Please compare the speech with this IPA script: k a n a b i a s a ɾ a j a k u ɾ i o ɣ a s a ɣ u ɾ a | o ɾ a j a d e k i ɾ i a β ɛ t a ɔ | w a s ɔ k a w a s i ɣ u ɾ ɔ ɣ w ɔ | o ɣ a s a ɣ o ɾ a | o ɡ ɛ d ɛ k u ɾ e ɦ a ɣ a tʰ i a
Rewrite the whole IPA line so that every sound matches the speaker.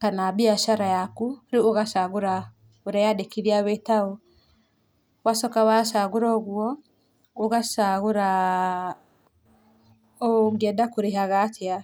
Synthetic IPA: k a n a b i a ʃ a ɾ a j a k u ɾ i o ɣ a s a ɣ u ɾ a | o ɾ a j a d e k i ɾ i a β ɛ t a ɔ | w a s ɔ k a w a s a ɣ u ɾ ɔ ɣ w ɔ | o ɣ a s a ɣ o ɾ a | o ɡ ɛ d a k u ɾ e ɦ a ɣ a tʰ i a